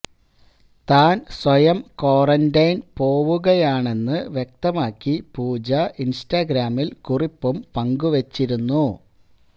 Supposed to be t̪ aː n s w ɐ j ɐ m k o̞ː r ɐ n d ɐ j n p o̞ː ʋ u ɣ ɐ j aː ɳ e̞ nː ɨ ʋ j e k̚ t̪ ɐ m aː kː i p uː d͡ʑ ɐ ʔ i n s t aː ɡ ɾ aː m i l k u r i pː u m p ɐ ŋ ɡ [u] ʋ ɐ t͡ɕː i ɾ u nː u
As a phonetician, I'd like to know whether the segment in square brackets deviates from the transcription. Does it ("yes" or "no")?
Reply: no